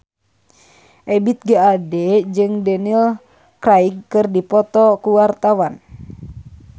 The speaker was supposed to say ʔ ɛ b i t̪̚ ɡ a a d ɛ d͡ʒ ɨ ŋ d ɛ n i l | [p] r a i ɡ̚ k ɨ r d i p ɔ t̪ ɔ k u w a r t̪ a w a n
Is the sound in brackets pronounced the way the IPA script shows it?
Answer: no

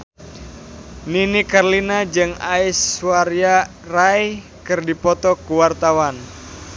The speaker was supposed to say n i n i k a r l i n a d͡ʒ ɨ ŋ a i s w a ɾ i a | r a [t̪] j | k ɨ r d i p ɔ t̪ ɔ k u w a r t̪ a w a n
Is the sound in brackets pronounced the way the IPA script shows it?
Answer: no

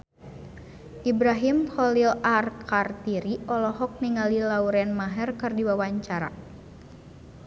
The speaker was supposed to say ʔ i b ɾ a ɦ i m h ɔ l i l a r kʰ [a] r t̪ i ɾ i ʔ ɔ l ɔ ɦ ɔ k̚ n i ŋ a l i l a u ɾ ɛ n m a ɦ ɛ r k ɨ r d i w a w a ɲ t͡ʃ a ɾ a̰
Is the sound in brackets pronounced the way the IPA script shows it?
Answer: yes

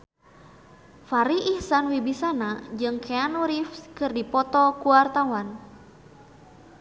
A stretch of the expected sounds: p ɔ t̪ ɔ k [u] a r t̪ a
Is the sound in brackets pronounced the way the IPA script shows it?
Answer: yes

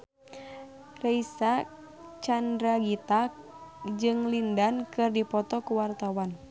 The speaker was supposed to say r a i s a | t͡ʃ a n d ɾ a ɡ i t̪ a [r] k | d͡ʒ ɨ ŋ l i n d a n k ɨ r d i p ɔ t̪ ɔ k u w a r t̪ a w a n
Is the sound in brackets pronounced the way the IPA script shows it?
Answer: no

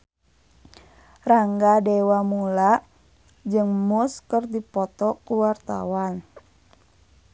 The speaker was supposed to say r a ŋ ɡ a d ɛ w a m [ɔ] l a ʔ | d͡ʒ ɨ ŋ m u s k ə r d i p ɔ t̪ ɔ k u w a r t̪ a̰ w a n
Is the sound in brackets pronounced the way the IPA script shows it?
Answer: no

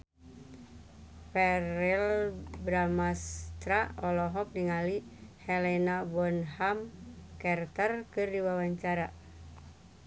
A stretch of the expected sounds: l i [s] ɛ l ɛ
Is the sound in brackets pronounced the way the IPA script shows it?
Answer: no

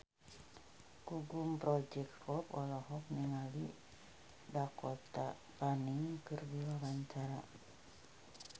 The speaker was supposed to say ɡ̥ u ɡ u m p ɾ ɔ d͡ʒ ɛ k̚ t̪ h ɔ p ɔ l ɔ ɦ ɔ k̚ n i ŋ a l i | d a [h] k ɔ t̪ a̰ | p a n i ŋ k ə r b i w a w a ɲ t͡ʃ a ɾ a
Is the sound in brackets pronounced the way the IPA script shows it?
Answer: no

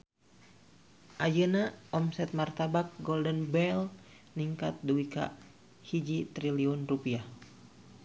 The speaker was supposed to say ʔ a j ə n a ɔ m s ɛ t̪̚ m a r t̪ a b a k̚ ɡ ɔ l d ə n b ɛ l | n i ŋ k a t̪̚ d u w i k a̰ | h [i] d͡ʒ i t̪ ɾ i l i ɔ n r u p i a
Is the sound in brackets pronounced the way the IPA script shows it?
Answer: yes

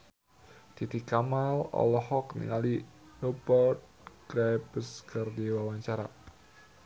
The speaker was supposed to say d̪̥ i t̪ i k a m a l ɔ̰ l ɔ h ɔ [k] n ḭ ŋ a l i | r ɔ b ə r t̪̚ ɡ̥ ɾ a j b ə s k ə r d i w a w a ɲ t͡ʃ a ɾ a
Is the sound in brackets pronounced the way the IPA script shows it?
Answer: yes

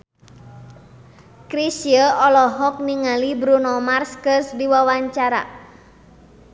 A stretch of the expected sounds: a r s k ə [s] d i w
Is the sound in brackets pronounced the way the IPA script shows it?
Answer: yes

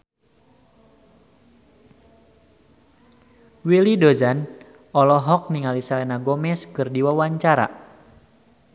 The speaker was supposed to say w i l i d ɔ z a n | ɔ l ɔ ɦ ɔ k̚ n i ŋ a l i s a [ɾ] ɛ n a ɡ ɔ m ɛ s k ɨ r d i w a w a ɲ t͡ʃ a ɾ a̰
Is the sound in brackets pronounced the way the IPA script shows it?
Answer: no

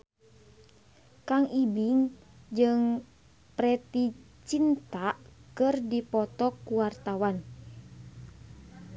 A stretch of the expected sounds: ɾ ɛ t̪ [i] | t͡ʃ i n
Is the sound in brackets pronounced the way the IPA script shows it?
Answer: yes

